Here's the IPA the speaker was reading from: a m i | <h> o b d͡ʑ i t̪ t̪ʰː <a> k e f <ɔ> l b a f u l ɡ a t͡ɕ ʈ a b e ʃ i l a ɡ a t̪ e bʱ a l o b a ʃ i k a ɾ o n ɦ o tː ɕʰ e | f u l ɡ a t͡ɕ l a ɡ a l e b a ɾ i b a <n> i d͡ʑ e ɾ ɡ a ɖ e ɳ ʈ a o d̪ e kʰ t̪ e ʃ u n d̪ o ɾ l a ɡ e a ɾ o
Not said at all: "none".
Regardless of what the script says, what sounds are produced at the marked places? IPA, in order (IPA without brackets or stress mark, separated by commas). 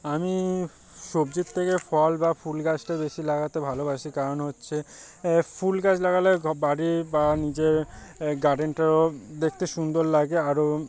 ʃ, e, ɔ, n